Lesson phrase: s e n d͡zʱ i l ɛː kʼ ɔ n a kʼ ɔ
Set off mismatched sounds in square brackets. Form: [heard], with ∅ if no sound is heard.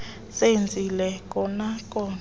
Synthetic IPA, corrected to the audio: s e n d͡zʱ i l [ɛ] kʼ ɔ n a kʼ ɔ